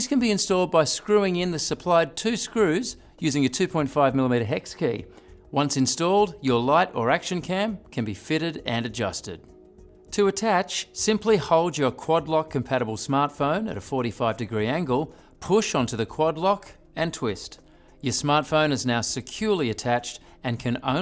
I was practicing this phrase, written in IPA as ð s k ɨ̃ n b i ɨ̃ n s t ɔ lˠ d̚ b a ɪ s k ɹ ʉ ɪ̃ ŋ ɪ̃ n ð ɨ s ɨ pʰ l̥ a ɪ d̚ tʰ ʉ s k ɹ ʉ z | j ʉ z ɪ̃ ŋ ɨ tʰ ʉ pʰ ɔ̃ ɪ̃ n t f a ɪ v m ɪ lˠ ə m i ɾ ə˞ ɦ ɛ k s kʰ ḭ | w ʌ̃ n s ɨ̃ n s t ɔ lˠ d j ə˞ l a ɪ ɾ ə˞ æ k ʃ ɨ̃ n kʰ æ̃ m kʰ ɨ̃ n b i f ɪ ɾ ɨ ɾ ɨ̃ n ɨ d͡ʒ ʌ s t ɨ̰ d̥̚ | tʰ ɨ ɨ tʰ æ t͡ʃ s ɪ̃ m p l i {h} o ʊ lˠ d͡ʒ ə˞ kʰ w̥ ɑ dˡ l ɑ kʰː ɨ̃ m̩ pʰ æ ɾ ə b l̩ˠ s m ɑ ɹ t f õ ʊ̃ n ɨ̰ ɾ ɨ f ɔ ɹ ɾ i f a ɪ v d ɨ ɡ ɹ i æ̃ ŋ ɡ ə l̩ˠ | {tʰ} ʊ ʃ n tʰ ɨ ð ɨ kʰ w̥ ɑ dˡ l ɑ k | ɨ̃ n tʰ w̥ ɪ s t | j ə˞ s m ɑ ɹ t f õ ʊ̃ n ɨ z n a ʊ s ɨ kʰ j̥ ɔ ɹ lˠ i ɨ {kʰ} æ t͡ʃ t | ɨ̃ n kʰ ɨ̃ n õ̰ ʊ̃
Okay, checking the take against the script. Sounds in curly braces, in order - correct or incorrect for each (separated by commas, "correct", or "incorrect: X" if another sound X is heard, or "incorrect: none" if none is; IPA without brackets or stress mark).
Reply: correct, incorrect: pʰ, incorrect: tʰ